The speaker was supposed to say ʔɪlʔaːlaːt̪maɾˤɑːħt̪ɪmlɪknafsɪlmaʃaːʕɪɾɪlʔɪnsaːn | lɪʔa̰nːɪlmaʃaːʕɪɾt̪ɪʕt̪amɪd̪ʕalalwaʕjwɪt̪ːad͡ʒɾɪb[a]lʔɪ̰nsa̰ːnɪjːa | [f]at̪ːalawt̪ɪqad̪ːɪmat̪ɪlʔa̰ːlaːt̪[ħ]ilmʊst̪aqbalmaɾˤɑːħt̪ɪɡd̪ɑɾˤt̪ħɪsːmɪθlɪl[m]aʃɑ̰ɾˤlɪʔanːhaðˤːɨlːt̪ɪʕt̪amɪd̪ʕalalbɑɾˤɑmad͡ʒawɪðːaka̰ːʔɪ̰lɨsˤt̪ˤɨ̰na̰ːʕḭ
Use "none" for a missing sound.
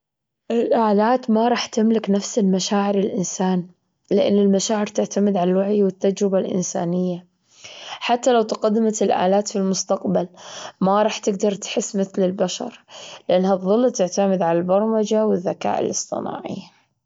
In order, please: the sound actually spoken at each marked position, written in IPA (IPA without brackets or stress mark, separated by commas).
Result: a, ħ, f, b